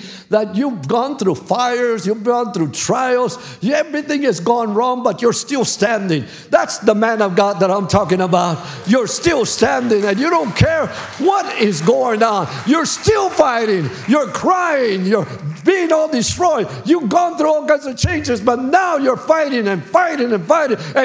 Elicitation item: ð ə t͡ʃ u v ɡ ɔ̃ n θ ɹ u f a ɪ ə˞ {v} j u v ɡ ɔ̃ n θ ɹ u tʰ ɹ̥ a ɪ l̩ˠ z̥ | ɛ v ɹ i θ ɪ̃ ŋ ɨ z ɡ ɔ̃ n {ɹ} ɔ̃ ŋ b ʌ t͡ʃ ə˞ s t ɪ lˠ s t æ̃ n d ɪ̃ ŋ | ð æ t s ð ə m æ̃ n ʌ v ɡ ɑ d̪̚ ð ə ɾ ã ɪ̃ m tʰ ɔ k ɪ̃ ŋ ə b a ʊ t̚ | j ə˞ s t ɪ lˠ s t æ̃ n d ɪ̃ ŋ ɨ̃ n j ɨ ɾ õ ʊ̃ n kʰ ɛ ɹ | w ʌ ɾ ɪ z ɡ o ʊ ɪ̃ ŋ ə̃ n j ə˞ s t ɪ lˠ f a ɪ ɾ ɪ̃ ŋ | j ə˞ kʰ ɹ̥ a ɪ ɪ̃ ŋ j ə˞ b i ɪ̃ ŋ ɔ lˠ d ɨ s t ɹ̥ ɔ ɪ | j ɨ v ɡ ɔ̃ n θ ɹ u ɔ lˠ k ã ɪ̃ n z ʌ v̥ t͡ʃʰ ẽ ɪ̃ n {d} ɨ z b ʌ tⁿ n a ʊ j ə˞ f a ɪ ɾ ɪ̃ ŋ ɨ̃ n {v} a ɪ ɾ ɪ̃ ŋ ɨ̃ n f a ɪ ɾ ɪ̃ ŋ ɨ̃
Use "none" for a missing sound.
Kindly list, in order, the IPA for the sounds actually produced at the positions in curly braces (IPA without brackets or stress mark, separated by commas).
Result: z, ɹ, d͡ʒ, f